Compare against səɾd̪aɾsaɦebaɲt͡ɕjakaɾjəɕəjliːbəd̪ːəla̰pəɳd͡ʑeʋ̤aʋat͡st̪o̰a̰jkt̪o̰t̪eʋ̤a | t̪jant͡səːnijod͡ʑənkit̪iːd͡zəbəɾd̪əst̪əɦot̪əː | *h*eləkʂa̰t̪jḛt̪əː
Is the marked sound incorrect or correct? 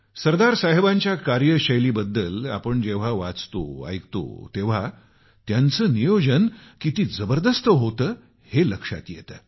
correct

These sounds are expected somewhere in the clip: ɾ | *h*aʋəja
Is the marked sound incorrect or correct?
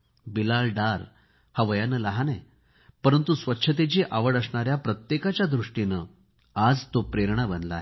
correct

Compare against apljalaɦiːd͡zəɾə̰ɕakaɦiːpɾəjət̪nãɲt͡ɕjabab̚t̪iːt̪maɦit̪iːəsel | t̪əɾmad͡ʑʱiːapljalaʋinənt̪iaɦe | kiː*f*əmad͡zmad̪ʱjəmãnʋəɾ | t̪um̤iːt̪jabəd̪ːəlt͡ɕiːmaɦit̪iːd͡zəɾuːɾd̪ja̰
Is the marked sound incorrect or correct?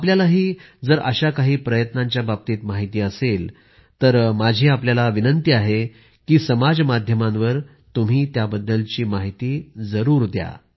incorrect: s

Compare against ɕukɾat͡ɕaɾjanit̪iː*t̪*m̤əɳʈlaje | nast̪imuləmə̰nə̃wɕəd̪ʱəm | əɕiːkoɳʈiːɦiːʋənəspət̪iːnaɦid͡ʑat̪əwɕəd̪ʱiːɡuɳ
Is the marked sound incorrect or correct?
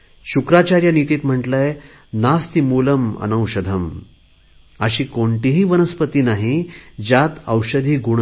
correct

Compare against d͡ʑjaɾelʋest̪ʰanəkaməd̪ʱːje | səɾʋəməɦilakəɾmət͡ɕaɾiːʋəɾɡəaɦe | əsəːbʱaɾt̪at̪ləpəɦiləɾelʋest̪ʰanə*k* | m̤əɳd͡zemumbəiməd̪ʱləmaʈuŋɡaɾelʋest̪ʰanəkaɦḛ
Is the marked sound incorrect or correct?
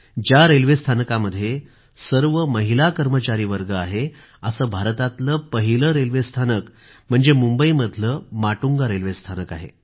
correct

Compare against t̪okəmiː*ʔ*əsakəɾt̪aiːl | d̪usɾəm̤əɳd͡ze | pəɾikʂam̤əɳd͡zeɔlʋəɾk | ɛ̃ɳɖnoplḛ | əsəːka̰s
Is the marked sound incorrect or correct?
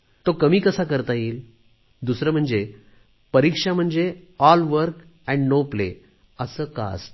incorrect: k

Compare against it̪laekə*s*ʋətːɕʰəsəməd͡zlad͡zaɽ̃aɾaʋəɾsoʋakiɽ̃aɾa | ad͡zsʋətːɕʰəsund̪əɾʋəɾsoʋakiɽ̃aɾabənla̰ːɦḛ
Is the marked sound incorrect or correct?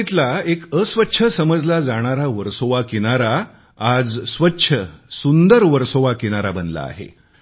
correct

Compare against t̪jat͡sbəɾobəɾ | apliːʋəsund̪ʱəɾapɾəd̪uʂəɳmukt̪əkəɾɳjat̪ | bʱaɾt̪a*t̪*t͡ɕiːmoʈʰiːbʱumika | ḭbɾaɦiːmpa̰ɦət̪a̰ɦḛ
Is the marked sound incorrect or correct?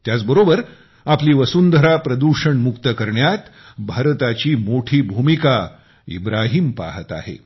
incorrect: none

